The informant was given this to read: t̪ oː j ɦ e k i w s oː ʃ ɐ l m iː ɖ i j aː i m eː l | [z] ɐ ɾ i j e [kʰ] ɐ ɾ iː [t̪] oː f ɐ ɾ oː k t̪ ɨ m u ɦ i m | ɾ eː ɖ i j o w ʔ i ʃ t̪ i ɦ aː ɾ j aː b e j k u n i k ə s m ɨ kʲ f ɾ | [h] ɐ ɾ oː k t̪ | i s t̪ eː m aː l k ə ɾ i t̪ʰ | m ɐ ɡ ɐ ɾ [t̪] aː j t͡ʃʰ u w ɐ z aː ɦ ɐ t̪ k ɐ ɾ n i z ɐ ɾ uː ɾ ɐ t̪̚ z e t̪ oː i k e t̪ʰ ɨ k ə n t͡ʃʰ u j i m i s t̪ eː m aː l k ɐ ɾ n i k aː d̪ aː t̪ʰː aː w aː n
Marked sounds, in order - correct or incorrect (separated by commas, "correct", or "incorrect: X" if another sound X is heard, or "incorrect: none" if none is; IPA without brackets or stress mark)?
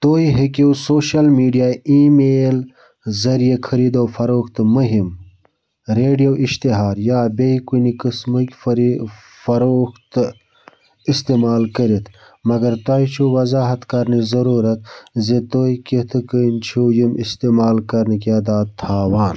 correct, correct, incorrect: d̪, incorrect: f, correct